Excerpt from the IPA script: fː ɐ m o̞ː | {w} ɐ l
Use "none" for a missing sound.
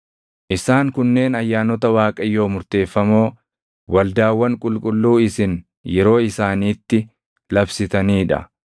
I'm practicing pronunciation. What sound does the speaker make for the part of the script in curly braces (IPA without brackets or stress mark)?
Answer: w